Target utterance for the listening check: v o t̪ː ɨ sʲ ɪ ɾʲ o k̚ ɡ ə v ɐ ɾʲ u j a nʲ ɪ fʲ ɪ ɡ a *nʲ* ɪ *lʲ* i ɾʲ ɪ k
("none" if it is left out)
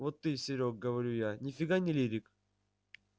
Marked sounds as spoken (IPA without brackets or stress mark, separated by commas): nʲ, lʲ